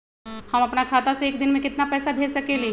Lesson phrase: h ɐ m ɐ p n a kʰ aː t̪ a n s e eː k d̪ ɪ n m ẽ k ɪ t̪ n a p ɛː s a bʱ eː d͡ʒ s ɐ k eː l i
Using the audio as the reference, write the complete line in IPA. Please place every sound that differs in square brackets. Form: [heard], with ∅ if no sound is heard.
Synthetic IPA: h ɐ m ɐ p n a kʰ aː t̪ a [∅] s e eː k d̪ ɪ n m ẽ k ɪ t̪ n a p ɛː s a bʱ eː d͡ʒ s ɐ k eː l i